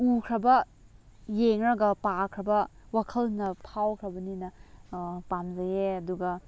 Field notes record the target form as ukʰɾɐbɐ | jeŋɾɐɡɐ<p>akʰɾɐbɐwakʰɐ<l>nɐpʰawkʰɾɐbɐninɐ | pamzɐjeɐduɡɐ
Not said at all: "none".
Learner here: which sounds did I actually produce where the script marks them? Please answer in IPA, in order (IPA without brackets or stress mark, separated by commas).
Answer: p, l